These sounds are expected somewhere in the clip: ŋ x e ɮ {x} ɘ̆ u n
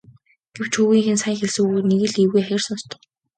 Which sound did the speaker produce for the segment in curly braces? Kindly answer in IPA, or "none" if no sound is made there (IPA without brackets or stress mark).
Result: s